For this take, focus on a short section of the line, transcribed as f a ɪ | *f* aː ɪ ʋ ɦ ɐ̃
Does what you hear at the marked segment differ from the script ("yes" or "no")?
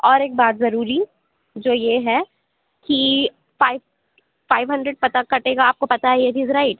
no